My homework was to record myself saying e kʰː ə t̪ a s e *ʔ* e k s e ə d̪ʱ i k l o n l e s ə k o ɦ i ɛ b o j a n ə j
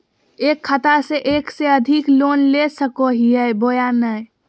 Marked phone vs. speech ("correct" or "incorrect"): correct